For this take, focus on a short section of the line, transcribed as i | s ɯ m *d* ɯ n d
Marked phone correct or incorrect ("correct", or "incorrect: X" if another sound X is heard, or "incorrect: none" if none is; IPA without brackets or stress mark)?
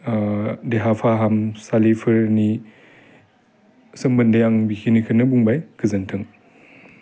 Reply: incorrect: b